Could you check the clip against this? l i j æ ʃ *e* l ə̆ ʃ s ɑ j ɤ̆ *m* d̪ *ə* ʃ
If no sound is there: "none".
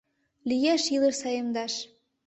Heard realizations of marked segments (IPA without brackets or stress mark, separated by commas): i, m, ɑ